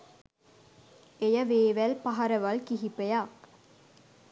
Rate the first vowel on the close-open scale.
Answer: mid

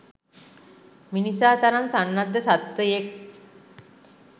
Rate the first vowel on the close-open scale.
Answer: close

